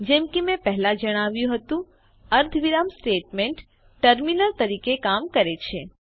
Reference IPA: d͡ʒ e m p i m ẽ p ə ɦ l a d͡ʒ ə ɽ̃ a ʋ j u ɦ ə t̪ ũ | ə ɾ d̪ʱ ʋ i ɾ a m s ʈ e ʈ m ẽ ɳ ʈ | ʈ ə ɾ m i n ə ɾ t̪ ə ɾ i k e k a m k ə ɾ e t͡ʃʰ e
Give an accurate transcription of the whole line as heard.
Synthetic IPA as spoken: d͡ʒ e m k i m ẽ p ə ɦ l a d͡ʒ ə ɽ̃ a ʋ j ũ ɦ ə t̪ ũ | ə ɾ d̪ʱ ʋ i ɾ a m s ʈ e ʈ m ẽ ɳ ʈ | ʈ ə ɾ m i n ə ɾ t̪ ə ɾ i k e k a m k ə ɾ e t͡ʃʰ e